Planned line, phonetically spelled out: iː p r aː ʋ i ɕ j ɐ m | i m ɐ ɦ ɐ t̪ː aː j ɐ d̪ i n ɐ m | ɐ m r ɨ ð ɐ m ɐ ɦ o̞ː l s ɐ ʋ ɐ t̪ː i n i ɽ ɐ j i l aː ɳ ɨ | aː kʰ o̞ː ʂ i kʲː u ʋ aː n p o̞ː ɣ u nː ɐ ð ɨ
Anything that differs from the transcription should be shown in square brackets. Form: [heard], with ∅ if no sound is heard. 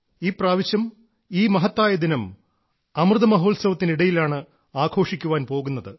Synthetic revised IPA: iː p r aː ʋ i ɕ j ɐ m | [iː] m ɐ ɦ ɐ t̪ː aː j ɐ d̪ i n ɐ m | ɐ m r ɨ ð ɐ m ɐ ɦ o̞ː l s ɐ ʋ ɐ t̪ː i n i ɽ ɐ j i l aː ɳ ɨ | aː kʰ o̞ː ʂ i kʲː u ʋ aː n p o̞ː ɣ u nː ɐ ð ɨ